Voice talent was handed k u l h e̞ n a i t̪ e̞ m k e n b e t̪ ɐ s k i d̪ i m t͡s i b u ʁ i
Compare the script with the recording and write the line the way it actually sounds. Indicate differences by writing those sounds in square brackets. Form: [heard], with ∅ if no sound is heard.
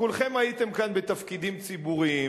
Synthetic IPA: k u l [χ] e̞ [m] a i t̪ e̞ m k [a] n b e t̪ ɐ [f] k i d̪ i m t͡s i b u ʁ i